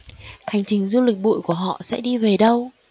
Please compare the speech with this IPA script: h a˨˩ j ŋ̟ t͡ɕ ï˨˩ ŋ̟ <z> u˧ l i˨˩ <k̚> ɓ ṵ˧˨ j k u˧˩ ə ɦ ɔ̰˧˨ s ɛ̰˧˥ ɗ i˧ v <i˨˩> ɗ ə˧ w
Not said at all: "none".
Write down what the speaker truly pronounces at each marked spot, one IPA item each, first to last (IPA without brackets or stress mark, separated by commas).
z, k̚, e˨˩